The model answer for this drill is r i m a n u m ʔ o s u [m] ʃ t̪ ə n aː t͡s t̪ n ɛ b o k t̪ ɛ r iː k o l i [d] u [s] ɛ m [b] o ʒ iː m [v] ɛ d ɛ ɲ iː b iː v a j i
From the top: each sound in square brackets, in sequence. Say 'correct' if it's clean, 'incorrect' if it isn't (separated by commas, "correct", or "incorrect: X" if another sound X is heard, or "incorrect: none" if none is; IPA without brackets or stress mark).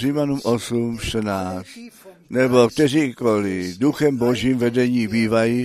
correct, correct, incorrect: x, correct, correct